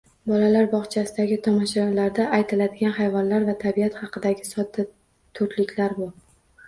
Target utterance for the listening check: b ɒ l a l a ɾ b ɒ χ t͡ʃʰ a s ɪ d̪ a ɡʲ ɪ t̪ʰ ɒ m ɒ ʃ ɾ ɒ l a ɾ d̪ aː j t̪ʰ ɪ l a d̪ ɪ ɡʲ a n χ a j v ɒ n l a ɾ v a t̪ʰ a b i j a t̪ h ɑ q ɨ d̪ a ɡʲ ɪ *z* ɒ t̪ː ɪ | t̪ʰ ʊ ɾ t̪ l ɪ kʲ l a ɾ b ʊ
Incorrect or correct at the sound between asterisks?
incorrect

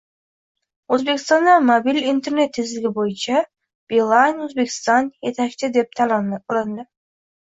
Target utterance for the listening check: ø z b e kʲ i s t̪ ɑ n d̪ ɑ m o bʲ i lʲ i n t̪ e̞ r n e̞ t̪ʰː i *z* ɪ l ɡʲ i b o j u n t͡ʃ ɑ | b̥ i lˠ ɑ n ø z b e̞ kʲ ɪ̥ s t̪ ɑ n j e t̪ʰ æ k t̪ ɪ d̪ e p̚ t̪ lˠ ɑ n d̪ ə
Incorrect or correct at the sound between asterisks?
correct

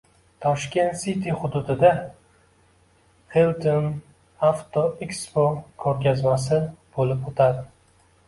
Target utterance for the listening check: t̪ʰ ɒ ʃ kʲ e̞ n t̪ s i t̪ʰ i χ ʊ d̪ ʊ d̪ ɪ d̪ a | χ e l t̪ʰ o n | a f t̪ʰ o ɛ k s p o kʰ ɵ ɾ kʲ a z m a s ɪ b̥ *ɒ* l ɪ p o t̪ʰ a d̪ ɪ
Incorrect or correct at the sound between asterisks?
incorrect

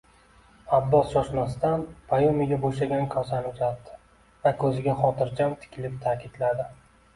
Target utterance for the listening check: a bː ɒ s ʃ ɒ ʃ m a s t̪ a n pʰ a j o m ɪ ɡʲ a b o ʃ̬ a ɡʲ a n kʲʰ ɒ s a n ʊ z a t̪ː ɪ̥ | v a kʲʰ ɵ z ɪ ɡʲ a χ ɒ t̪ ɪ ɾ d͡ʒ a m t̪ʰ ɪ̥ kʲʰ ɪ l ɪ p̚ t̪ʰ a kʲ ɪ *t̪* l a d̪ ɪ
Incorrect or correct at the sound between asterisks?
incorrect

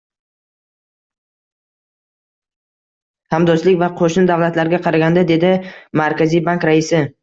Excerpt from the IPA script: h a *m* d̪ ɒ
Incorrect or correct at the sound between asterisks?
correct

